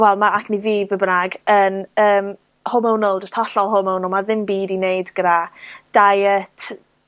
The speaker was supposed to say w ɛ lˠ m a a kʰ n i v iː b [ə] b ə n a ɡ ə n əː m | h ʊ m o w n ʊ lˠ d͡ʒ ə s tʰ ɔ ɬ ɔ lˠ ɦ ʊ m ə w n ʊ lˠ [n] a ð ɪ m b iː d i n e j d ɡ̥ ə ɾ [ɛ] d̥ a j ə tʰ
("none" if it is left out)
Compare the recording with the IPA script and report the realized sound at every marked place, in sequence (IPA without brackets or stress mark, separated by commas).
ə, m, a